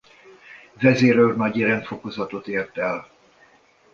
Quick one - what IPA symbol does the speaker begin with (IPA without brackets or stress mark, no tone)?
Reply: v